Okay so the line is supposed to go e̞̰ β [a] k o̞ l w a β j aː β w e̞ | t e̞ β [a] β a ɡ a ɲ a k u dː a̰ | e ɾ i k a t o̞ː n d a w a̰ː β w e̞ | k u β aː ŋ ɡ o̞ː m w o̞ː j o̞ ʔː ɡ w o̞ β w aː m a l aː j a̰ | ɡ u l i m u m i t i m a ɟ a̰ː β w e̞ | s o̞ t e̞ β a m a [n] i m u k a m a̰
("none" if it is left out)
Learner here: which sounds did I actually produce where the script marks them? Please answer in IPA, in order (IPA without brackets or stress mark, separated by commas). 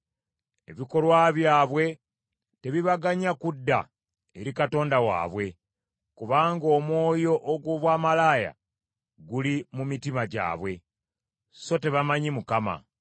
i, i, ɲ